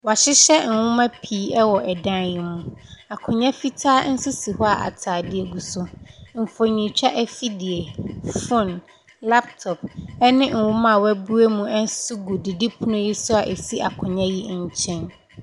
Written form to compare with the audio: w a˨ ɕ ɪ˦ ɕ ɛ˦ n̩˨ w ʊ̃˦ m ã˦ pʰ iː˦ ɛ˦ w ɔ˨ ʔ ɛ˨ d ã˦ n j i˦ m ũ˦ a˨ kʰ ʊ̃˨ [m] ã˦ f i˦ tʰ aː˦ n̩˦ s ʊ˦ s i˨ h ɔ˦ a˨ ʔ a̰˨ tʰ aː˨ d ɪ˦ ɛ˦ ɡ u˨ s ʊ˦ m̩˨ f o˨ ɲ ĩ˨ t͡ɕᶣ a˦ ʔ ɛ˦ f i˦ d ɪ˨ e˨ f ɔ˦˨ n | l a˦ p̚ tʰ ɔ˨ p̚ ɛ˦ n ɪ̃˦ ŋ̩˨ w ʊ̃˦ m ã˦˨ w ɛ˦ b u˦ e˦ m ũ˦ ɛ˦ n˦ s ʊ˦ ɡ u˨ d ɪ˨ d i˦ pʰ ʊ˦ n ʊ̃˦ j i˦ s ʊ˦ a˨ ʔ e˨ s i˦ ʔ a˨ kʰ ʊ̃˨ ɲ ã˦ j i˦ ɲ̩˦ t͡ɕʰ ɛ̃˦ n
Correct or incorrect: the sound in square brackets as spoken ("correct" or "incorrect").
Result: incorrect